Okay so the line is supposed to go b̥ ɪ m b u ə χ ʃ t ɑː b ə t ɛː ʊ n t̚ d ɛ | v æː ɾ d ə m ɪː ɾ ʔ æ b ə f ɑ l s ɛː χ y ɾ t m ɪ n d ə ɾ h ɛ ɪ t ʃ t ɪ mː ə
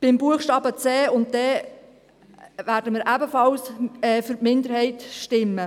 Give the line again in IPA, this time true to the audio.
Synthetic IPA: b̥ ɪ m b u ə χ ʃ t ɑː b ə t͡s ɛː ʊ n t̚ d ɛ | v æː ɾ d ə m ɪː ɾ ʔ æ b ə f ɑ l s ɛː f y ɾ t m ɪ n d ə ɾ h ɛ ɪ t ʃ t ɪ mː ə